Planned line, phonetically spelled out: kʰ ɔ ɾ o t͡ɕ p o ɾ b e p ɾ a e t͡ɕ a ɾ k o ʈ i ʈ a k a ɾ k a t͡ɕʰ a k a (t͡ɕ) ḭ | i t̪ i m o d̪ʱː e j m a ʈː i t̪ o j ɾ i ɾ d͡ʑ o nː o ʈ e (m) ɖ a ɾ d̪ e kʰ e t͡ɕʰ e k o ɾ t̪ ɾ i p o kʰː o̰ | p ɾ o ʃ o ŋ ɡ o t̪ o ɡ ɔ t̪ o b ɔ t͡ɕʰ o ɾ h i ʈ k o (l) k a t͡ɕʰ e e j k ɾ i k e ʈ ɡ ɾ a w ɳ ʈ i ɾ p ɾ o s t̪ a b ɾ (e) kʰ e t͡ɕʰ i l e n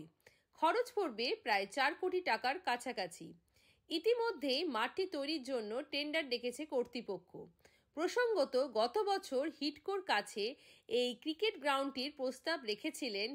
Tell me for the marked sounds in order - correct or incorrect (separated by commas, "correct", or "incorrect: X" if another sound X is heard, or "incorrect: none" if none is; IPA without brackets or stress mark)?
incorrect: t͡ɕʰ, incorrect: ɳ, incorrect: ɾ, correct